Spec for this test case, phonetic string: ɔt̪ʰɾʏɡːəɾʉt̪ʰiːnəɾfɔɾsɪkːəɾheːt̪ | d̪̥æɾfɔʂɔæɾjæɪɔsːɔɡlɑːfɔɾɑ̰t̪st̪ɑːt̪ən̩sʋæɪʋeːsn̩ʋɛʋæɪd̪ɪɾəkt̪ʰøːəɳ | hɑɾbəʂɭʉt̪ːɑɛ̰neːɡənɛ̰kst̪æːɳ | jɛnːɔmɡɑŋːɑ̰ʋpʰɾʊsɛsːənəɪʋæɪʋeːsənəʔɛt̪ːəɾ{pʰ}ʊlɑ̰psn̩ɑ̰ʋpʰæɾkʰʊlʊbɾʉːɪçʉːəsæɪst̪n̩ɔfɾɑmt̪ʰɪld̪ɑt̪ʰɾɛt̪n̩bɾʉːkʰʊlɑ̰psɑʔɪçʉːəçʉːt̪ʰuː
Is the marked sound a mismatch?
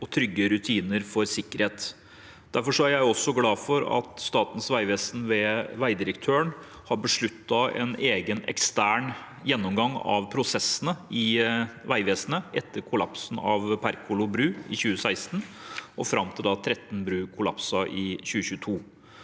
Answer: yes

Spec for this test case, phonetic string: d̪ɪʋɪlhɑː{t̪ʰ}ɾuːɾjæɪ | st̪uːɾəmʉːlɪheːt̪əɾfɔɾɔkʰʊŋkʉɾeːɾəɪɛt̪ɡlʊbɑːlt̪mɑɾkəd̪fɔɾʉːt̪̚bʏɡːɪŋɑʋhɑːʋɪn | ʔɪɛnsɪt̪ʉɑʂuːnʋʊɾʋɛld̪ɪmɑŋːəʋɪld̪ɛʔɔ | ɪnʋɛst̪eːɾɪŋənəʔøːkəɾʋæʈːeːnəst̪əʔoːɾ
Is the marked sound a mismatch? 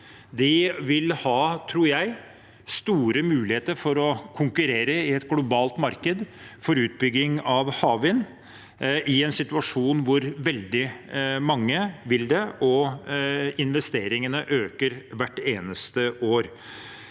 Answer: no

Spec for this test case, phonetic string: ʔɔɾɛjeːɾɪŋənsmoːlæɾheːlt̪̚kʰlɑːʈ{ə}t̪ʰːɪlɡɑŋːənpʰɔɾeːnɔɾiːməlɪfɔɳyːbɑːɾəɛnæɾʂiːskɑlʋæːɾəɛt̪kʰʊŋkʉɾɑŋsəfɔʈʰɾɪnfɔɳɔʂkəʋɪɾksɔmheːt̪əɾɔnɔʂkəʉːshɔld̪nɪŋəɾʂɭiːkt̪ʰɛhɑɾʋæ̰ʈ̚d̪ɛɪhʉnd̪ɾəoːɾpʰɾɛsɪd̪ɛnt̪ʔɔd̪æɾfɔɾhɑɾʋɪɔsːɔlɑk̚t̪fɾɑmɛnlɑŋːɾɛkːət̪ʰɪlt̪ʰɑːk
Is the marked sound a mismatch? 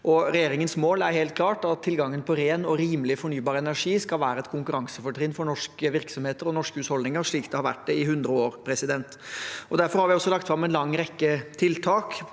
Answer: yes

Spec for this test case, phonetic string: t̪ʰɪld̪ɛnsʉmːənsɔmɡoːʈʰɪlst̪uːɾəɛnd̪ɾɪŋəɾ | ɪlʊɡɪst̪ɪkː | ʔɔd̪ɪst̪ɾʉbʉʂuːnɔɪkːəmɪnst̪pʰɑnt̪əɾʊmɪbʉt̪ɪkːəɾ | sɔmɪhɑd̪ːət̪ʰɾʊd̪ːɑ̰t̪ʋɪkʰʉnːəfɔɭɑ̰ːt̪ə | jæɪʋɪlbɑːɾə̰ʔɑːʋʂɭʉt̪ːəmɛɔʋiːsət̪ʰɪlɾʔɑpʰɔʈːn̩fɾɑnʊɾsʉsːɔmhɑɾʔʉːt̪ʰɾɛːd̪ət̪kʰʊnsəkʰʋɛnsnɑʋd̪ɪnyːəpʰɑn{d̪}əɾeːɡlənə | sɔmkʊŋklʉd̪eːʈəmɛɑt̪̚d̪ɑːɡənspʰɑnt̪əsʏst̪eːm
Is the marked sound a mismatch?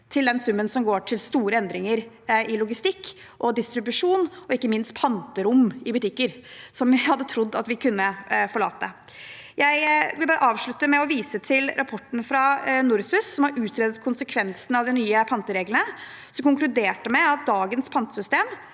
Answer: yes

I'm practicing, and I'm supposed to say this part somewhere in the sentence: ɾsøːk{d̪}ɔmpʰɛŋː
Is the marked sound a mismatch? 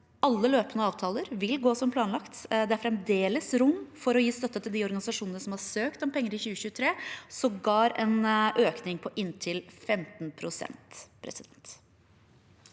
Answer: yes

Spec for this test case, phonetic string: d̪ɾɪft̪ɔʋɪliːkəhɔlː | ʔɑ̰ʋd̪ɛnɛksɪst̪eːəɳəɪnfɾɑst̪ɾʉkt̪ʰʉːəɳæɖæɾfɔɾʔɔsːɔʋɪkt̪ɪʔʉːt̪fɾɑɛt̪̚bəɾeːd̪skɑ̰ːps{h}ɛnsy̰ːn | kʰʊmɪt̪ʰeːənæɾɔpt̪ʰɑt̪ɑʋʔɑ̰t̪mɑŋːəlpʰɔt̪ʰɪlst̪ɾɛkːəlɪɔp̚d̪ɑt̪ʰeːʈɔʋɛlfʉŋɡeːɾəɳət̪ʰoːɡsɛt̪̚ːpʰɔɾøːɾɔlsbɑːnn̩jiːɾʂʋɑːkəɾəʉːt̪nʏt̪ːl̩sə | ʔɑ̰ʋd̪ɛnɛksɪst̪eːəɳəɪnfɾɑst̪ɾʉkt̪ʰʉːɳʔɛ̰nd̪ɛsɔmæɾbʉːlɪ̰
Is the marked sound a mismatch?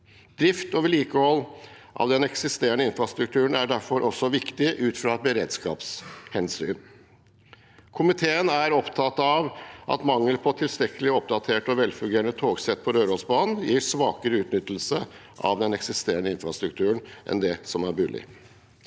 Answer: no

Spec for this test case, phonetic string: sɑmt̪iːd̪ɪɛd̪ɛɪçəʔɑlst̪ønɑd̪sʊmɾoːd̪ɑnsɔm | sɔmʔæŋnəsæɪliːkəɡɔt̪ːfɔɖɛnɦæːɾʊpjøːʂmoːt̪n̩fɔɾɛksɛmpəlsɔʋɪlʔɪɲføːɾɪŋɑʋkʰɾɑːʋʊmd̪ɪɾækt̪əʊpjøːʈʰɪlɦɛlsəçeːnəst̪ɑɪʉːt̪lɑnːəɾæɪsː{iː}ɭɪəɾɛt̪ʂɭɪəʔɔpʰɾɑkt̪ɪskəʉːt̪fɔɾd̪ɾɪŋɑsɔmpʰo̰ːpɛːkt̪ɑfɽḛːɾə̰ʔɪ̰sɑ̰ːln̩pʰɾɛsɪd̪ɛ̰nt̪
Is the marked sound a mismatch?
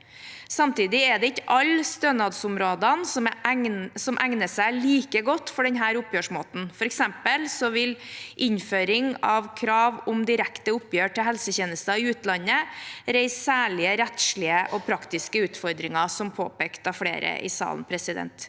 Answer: yes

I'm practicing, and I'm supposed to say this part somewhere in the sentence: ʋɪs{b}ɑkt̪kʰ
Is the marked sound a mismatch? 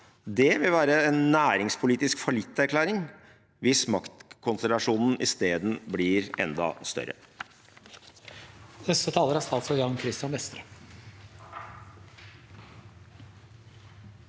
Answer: yes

